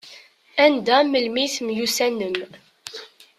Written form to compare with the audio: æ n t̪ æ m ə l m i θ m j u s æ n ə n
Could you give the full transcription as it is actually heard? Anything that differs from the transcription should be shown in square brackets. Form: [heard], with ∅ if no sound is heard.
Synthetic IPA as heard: æ n [d̪] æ m ə l m i θ m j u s æ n ə [m]